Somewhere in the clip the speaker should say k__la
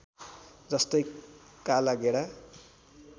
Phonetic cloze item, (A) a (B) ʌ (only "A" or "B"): A